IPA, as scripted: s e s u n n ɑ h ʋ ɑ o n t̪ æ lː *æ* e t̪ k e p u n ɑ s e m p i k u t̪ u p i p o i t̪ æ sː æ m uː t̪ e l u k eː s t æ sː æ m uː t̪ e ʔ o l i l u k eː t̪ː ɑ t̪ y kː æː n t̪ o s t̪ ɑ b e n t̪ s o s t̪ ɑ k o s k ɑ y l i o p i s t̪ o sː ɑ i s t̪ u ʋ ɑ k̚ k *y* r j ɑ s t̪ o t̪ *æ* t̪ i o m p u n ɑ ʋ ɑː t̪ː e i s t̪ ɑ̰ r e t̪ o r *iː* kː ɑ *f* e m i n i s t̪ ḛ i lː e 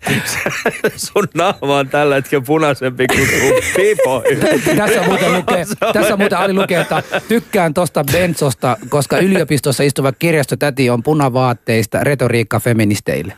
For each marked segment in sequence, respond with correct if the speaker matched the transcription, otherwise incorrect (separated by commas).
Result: correct, incorrect, correct, correct, correct